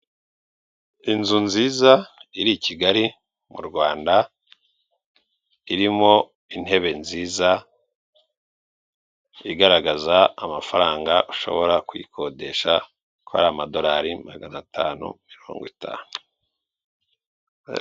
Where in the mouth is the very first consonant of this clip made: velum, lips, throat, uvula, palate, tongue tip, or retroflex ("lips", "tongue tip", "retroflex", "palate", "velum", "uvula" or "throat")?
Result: tongue tip